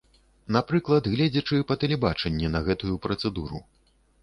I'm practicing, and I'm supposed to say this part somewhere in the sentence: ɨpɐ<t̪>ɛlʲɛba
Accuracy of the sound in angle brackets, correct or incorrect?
correct